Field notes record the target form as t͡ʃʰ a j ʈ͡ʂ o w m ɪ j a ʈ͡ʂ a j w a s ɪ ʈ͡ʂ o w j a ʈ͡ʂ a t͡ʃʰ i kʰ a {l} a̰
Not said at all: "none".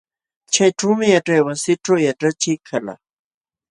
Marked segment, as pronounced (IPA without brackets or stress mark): l